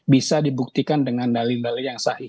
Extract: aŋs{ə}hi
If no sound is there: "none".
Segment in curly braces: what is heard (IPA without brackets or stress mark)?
a